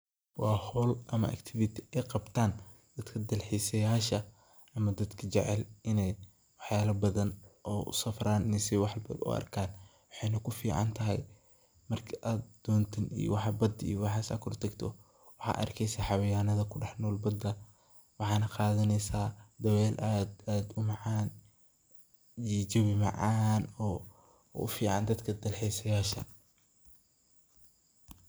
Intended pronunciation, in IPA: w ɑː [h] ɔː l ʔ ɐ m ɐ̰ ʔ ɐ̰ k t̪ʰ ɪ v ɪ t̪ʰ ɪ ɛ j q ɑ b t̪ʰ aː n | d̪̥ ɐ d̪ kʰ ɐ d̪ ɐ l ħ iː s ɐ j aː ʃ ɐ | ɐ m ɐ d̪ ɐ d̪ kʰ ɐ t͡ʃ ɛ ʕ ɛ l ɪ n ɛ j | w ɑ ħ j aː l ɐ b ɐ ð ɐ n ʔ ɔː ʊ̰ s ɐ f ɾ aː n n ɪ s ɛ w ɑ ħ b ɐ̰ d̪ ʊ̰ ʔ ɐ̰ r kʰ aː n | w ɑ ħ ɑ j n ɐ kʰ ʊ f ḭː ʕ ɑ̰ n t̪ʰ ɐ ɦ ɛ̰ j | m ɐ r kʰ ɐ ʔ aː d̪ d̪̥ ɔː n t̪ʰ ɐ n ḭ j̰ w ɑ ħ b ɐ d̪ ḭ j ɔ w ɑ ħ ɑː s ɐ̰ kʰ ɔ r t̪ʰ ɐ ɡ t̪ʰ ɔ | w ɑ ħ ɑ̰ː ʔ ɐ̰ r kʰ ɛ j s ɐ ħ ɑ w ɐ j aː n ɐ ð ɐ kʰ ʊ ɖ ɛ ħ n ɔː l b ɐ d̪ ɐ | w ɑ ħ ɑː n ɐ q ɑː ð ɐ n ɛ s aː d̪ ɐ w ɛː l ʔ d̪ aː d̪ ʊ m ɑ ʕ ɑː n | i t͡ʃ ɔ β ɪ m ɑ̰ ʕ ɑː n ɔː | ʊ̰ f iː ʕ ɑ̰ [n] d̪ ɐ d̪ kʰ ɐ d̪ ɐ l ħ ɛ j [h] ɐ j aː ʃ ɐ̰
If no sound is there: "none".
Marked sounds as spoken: h, n, s

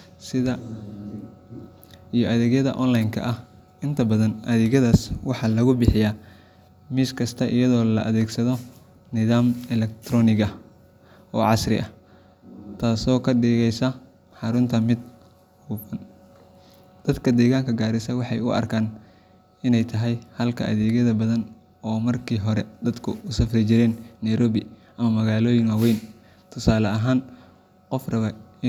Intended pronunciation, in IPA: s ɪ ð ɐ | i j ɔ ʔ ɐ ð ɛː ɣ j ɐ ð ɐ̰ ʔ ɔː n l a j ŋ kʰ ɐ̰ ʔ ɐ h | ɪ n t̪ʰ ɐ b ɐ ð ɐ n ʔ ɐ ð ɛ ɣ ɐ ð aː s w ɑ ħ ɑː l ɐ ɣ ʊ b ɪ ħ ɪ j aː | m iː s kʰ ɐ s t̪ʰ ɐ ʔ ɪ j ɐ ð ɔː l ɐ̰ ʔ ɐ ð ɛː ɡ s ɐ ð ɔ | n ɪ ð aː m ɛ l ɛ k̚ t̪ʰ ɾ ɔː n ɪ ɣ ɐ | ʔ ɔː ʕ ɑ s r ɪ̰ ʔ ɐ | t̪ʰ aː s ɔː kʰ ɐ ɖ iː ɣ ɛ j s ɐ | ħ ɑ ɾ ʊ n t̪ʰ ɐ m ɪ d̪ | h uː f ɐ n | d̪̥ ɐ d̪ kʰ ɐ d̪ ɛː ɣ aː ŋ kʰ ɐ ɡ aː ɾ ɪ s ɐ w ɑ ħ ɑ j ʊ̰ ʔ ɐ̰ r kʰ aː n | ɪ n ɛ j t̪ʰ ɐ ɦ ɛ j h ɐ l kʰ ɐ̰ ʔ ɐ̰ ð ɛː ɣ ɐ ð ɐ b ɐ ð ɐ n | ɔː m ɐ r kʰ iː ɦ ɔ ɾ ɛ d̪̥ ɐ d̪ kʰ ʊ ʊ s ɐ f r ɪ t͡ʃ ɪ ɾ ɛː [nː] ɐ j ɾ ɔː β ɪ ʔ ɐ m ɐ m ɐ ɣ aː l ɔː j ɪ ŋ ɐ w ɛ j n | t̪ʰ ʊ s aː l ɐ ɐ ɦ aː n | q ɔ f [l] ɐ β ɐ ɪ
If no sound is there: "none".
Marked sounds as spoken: nː, r

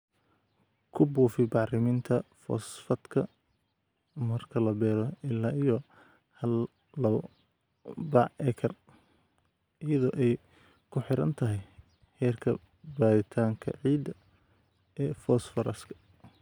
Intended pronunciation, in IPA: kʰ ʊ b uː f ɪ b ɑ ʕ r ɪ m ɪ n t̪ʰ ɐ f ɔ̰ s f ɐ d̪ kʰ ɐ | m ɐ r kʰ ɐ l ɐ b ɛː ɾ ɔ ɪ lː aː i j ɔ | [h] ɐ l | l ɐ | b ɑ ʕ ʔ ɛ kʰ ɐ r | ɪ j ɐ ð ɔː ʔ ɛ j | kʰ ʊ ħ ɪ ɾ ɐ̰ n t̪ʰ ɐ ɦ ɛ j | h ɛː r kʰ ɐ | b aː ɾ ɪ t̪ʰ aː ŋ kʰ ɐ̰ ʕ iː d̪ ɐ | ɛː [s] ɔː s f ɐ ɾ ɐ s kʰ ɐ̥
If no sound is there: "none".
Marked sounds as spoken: h, f

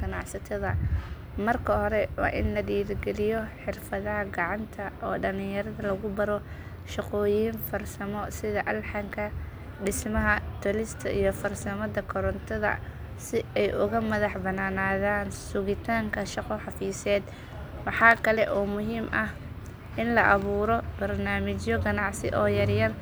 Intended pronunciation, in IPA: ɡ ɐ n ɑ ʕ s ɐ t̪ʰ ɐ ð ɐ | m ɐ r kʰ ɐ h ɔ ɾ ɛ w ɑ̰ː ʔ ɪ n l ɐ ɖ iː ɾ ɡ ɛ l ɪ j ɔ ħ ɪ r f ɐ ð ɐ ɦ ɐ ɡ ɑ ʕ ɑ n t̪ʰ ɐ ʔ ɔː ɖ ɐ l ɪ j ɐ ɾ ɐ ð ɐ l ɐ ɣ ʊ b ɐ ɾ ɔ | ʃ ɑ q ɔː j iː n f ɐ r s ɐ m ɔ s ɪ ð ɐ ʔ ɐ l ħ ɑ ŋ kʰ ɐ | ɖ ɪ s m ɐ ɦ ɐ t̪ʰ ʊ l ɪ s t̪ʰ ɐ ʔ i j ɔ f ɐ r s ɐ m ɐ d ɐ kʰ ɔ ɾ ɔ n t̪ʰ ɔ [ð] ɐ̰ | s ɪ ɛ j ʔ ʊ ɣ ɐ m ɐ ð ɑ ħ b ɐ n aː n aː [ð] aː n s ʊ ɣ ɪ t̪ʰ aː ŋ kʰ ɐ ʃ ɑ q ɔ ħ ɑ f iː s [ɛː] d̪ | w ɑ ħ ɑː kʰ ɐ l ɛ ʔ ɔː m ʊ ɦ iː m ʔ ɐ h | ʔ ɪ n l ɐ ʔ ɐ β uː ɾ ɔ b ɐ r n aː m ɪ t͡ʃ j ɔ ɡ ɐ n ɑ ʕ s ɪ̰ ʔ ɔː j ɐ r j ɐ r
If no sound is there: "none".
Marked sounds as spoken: ð, ð, ɛː

